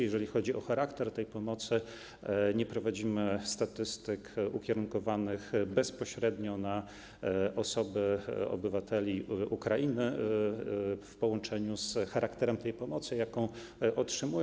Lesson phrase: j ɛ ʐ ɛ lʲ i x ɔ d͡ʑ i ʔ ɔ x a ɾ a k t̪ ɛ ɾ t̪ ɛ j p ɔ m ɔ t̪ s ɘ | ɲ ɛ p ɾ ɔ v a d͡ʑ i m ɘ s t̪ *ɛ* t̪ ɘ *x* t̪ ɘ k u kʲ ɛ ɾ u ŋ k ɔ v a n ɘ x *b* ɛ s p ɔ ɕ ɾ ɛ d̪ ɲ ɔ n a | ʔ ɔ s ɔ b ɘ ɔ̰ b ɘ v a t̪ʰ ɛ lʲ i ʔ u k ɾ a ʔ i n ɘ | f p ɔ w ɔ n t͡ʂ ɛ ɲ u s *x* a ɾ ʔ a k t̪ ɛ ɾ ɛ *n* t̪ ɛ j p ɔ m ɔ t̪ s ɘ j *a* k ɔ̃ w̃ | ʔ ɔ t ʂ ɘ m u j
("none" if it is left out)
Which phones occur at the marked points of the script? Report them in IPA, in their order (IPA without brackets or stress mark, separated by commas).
a, s, b, x, m, a